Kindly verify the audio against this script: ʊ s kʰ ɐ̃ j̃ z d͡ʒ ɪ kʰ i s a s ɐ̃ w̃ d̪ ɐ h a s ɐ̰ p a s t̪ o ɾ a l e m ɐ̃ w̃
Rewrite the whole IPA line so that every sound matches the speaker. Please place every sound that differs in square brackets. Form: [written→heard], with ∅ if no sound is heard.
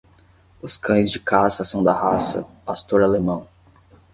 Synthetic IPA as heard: ʊ s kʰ ɐ̃ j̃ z d͡ʒ ɪ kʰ [i→a] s [a→ɐ] s ɐ̃ w̃ d̪ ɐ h a s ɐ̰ p a s t̪ o ɾ a l e m ɐ̃ w̃